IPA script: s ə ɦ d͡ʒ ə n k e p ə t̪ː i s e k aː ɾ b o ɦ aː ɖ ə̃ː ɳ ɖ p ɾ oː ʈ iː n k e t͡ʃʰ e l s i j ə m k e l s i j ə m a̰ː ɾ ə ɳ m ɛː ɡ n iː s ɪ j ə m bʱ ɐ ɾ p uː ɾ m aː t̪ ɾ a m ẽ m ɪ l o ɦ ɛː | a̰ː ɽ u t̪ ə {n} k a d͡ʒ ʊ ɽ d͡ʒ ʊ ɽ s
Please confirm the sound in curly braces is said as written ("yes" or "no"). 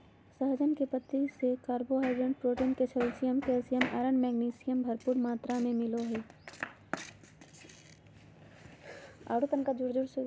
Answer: yes